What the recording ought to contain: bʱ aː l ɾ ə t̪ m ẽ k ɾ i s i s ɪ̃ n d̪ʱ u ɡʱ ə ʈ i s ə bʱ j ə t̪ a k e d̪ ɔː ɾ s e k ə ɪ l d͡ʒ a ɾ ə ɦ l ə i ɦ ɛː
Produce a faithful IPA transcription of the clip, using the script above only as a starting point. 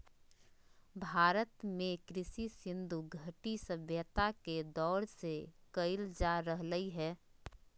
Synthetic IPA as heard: bʱ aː ɾ ə t̪ m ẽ k ɾ ɪ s i s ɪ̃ n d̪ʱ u ɡʱ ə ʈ i s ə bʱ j ə t̪ a k e d̪ ɔː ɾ s e k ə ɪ l d͡ʒ a ɾ ə ɦ l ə i ɦ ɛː